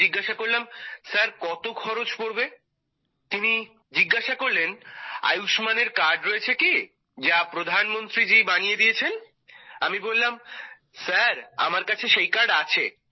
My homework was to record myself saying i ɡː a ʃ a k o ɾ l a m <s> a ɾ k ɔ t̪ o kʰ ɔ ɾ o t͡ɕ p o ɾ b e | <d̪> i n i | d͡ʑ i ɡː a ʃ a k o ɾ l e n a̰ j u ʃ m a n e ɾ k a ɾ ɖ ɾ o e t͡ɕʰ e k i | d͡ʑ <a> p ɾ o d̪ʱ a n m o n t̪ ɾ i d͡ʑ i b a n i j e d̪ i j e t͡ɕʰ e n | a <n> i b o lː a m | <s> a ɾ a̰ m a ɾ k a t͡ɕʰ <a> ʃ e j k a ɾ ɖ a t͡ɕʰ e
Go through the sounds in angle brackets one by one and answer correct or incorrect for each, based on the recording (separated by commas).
correct, incorrect, correct, incorrect, correct, incorrect